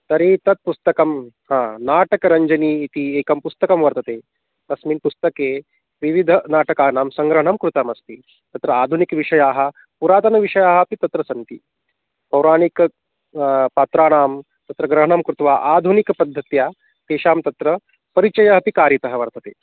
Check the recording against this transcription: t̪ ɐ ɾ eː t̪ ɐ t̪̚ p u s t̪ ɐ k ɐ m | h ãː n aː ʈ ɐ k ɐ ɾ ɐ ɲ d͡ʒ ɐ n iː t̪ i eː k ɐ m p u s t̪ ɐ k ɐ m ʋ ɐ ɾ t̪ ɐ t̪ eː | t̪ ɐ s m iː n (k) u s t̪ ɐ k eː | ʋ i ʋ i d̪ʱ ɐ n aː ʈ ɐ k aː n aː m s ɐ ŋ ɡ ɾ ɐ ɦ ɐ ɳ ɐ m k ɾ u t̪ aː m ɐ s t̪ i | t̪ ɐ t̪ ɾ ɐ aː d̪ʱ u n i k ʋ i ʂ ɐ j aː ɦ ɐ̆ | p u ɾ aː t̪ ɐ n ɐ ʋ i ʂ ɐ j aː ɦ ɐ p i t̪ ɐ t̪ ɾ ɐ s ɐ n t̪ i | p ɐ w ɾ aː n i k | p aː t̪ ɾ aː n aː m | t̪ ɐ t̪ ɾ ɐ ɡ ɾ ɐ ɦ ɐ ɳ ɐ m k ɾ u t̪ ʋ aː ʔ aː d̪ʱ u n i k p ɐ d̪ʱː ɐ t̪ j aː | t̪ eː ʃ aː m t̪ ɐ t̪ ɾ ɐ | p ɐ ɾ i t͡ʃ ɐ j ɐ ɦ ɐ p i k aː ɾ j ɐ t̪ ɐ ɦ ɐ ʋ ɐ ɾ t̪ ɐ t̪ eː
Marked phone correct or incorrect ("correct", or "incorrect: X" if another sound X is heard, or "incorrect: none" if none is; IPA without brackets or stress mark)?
incorrect: p